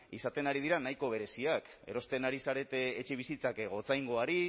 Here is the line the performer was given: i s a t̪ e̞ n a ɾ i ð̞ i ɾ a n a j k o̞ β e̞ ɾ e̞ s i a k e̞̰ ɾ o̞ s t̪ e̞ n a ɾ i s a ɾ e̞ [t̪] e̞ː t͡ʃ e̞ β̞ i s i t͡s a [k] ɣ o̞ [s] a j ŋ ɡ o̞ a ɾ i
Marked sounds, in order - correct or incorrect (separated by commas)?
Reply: correct, correct, incorrect